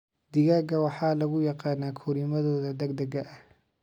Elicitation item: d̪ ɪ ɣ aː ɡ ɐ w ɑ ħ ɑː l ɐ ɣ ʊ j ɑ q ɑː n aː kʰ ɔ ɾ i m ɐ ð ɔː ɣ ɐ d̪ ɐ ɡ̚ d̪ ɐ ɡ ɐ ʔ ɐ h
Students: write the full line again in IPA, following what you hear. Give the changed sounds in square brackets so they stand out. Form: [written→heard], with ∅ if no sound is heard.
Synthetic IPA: d̪ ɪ ɣ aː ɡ ɐ w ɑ ħ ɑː l ɐ ɣ ʊ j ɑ q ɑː n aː kʰ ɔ ɾ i m ɐ ð ɔː [ɣ→ð] ɐ d̪ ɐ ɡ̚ d̪ ɐ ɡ ɐ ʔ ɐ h